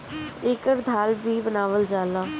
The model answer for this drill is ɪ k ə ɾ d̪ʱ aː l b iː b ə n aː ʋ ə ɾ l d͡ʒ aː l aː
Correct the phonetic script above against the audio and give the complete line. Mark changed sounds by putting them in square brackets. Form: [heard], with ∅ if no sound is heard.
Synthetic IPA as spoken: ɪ k ə ɾ d̪ʱ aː l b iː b ə n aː ʋ ə [∅] l d͡ʒ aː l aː